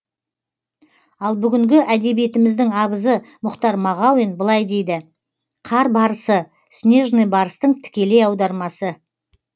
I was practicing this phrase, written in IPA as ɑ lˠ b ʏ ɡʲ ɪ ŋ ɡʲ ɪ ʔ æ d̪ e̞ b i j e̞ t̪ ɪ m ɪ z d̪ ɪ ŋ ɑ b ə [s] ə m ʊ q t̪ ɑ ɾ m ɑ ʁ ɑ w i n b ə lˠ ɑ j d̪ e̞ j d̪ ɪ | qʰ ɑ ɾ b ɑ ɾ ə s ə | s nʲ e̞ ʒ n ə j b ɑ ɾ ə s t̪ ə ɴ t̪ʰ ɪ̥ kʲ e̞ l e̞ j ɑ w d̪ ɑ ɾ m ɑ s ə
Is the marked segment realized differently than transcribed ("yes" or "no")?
yes